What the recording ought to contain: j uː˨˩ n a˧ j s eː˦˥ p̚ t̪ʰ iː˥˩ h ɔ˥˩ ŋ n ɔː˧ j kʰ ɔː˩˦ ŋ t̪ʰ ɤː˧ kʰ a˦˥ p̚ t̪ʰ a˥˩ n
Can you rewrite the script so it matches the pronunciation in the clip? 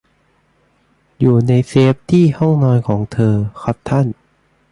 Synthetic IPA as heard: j uː˨˩ n a˧ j s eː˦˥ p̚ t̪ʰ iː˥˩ h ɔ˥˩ ŋ n ɔː˧ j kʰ ɔː˩˦ ŋ t̪ʰ ɤː˧ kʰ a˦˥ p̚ t̪ʰ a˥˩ n